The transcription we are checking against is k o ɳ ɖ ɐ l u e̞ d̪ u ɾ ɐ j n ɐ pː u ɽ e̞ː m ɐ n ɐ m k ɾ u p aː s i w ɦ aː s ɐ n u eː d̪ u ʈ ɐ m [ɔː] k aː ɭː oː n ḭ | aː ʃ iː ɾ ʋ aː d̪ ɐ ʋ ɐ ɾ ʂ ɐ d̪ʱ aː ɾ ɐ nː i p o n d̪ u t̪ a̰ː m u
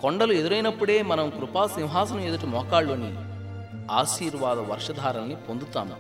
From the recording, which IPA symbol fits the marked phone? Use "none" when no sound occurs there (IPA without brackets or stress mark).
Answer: ɔː